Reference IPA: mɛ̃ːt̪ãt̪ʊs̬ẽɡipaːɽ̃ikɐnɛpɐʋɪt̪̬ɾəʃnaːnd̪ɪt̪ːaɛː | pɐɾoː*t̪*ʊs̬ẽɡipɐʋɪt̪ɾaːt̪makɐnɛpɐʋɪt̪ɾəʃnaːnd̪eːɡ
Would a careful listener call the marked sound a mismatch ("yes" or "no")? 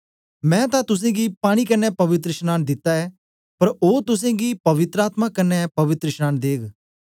no